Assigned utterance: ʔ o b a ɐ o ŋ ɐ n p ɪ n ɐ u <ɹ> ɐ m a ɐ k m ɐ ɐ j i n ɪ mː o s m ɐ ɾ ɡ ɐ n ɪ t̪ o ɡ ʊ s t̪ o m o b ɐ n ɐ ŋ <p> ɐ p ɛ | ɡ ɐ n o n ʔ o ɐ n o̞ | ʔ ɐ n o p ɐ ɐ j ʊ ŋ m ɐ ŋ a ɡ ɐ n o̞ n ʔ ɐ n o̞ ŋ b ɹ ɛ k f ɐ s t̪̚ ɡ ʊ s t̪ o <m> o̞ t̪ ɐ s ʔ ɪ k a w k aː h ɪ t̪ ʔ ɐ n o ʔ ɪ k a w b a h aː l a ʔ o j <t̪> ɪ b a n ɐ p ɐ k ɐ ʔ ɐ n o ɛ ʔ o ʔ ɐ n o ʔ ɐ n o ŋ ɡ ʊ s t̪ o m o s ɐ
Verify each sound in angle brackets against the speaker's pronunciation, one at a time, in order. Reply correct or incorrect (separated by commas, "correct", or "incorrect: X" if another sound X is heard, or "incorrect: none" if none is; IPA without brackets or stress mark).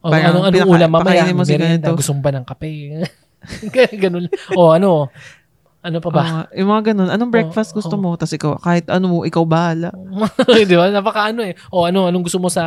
incorrect: l, incorrect: k, correct, incorrect: d̪